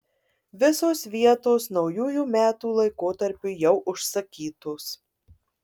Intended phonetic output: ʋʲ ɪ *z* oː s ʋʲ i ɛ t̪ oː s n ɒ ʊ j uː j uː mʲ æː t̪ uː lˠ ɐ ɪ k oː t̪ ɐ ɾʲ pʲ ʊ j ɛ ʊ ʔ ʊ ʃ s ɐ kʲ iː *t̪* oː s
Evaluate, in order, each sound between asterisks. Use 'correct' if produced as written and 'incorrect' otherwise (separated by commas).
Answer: incorrect, correct